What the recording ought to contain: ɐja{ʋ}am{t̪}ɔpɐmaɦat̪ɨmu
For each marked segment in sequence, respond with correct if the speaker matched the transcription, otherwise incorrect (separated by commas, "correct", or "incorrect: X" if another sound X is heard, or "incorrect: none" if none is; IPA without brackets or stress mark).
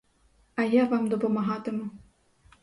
incorrect: v, incorrect: d̪